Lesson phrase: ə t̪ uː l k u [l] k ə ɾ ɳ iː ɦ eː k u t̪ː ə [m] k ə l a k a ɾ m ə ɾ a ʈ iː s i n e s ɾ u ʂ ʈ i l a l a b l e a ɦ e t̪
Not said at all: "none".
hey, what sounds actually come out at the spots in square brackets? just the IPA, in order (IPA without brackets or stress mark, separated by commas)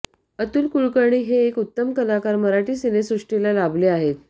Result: ɭ, m